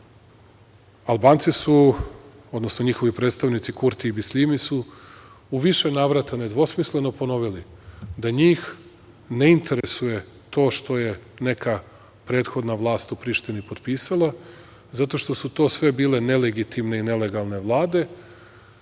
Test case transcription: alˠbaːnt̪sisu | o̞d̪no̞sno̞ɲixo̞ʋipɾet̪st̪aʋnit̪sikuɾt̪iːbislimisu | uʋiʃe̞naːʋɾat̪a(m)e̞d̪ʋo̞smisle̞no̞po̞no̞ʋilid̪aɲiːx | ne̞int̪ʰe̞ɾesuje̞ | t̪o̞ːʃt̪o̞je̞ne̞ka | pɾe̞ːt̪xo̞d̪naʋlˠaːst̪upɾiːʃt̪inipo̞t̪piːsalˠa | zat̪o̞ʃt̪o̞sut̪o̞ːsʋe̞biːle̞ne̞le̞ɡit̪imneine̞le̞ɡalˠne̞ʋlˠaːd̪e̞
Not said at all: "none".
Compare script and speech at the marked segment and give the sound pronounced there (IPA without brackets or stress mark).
n